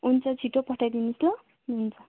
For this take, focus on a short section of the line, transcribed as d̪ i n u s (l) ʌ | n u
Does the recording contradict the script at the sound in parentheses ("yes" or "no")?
no